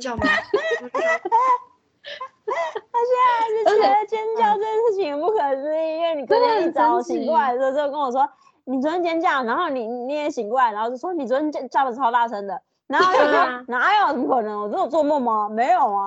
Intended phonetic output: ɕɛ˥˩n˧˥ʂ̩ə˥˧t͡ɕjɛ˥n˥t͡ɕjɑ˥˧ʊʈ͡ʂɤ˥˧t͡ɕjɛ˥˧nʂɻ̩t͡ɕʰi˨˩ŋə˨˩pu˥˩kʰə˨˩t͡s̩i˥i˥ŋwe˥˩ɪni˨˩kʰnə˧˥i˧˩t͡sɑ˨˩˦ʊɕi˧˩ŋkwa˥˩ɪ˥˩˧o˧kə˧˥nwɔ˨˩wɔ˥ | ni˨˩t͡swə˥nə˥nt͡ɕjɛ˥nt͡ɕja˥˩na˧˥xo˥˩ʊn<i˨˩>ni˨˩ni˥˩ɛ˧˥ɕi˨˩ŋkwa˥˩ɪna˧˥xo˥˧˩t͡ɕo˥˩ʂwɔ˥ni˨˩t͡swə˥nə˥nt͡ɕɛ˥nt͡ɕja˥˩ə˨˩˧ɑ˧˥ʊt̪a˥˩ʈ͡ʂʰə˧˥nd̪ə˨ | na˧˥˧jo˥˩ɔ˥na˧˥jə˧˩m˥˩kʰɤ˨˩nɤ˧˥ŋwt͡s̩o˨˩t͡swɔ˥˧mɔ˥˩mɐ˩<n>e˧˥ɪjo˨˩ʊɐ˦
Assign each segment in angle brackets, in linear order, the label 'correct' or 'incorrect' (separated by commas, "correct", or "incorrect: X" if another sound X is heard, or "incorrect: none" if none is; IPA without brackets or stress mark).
correct, incorrect: m